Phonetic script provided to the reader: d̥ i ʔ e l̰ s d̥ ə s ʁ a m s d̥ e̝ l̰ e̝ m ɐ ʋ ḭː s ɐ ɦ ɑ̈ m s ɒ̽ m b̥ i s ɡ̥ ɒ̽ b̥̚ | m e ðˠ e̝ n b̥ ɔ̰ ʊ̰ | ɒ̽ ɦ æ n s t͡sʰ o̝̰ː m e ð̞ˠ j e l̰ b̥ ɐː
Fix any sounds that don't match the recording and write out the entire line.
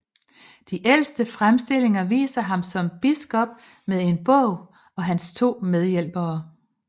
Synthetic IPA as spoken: d̥ i ʔ e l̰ s d̥ ə f ʁ a m s d̥ e̝ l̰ e̝ ŋ ɐ ʋ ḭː s ɐ ɦ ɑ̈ m s ɒ̽ m b̥ i s ɡ̥ ɒ̽ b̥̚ | m e ðˠ e̝ n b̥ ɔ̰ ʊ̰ | ɒ̽ ɦ æ n s t͡sʰ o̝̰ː m e ð̞ˠ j e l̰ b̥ ɐː